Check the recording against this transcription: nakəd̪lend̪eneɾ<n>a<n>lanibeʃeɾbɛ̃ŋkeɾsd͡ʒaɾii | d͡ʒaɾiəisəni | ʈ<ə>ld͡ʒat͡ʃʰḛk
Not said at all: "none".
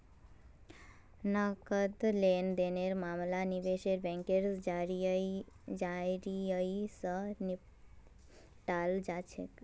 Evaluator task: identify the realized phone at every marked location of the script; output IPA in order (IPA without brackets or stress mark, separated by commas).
m, m, a